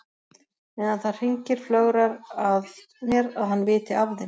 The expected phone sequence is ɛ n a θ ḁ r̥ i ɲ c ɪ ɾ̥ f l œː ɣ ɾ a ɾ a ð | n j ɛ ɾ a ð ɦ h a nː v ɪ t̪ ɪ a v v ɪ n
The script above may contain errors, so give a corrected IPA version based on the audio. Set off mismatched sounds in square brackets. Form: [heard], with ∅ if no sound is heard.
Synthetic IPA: ɛ n a θ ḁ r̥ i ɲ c ɪ ɾ̥ f l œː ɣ ɾ a ɾ a ð | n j ɛ ɾ a ð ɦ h a nː v [ɪː] t̪ ɪ a v [ð] ɪ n